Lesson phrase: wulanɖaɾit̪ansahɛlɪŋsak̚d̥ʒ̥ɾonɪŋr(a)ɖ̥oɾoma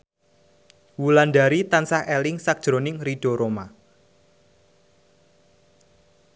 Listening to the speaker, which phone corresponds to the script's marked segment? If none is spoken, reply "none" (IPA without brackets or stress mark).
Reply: i